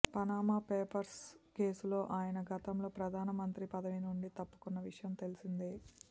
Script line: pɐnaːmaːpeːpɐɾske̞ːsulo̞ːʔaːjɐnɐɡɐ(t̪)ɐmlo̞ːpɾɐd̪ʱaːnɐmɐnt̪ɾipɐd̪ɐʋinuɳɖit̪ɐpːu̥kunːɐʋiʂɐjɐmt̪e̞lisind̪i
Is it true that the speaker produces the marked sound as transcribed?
yes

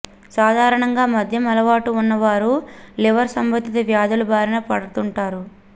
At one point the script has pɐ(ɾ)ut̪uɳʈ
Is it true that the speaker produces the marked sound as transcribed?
no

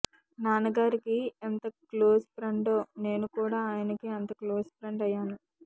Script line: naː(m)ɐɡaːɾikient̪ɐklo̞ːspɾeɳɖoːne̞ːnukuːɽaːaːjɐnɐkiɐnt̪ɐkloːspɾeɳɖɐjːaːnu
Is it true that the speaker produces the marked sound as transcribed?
no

